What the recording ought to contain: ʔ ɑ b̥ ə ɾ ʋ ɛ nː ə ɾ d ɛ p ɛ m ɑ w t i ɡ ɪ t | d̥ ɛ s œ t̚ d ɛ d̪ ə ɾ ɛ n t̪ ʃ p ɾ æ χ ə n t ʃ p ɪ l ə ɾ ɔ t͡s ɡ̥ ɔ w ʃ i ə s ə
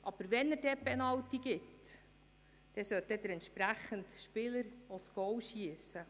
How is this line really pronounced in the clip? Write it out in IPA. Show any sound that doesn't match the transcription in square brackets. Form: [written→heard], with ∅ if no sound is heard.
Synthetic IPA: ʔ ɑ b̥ ə ɾ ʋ ɛ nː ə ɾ d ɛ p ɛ [m→n] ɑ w t i ɡ ɪ t | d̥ ɛ s œ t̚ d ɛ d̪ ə ɾ ɛ n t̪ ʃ p ɾ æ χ ə n t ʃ p ɪ l ə ɾ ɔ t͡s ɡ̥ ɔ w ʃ i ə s ə